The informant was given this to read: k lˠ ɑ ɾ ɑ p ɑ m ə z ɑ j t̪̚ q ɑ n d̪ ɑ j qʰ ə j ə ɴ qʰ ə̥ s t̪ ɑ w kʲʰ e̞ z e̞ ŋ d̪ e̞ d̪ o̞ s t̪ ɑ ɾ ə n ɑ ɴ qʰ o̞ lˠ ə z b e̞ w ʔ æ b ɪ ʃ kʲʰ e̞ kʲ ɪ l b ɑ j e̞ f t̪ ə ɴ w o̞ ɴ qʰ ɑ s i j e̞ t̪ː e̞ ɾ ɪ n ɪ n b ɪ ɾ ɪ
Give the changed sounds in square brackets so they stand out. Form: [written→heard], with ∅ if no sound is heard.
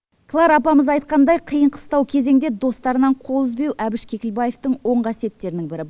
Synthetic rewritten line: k lˠ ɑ ɾ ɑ p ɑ m ə z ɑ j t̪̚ q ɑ n d̪ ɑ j qʰ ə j ə ɴ qʰ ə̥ s t̪ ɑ w kʲʰ e̞ z e̞ ŋ d̪ e̞ d̪ o̞ s t̪ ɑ ɾ ə n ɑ ɴ qʰ o̞ lˠ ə z b e̞ w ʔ æ b ɪ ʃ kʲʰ e̞ kʲ ɪ l b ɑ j e̞ f t̪ ə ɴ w o̞ ɴ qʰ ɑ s i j e̞ t̪ː e̞ ɾ ɪ n ɪ [n→ŋ] b ɪ ɾ ɪ

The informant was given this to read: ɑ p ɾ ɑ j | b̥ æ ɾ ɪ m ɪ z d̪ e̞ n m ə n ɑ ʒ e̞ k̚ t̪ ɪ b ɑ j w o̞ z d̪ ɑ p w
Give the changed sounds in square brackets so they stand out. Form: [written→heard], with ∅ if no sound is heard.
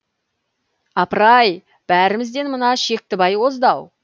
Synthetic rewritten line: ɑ p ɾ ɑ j | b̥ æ ɾ ɪ m ɪ z d̪ e̞ n m ə n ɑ [ʒ→ʃ] e̞ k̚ t̪ ɪ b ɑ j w o̞ z d̪ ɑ [p→∅] w

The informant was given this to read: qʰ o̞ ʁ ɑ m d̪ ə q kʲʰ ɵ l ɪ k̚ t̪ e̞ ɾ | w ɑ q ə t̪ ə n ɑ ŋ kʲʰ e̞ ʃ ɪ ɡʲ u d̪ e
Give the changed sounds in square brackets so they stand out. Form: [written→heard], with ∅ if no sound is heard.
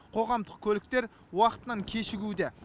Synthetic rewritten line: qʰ o̞ ʁ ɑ m d̪ ə q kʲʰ ɵ l ɪ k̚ t̪ e̞ ɾ | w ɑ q ə t̪ ə n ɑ ŋ kʲʰ e̞ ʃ ɪ ɡʲ u d̪ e

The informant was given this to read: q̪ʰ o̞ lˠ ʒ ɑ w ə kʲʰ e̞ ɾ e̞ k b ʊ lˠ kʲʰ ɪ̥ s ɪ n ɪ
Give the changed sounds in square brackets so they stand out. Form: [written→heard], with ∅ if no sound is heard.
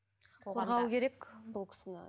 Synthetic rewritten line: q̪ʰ o̞ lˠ [ʒ→ʁ] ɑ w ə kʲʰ e̞ ɾ e̞ k b ʊ lˠ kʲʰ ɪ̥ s ɪ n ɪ

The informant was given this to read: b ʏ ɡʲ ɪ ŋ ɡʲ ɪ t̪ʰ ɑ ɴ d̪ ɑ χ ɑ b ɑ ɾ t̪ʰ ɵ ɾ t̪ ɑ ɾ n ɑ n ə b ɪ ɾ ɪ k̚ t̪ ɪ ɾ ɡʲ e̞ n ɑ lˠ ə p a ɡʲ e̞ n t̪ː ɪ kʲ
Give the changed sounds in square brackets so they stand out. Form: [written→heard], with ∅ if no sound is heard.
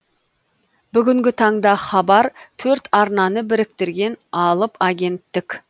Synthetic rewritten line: b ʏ ɡʲ ɪ ŋ ɡʲ ɪ t̪ʰ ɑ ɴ d̪ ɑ χ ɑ b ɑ ɾ t̪ʰ ɵ ɾ t̪ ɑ ɾ n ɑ n ə b ɪ ɾ ɪ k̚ t̪ ɪ ɾ ɡʲ e̞ n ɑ lˠ ə p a ɡʲ e̞ n t̪ː ɪ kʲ

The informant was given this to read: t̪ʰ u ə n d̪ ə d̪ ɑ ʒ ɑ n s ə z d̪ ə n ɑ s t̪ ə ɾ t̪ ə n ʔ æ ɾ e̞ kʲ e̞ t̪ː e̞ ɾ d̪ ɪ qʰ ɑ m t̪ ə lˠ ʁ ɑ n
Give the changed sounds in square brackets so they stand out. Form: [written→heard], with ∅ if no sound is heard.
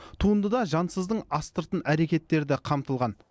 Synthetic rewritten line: t̪ʰ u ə n d̪ ə d̪ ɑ ʒ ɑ n s ə z d̪ ə [n→ɴ] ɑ s t̪ ə ɾ t̪ ə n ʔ æ ɾ e̞ kʲ e̞ t̪ː e̞ ɾ d̪ ɪ qʰ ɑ m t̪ ə lˠ ʁ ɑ n

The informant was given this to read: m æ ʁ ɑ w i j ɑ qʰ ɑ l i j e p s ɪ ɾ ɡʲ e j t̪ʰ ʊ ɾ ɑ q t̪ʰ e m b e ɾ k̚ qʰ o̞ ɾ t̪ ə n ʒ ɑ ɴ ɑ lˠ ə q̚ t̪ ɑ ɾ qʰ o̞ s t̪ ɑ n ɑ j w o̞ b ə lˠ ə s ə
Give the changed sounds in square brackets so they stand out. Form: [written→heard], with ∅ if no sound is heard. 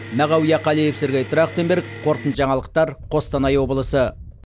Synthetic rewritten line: m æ ʁ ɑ w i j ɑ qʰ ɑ l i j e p s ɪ ɾ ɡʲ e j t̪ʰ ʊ ɾ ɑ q [t̪ʰ→t̪] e m b e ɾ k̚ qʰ o̞ ɾ t̪ ə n ʒ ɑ ɴ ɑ lˠ ə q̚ t̪ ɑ ɾ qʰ o̞ s t̪ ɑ n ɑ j w o̞ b ə lˠ ə s ə

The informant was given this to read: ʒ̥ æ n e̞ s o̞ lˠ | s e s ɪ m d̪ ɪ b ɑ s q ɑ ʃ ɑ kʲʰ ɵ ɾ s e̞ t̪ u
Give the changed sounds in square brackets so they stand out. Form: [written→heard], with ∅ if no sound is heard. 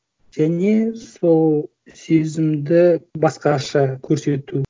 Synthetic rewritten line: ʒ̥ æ n e̞ s o̞ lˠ | s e [s→z] ɪ m d̪ ɪ b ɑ s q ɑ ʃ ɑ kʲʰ ɵ ɾ s e̞ t̪ u

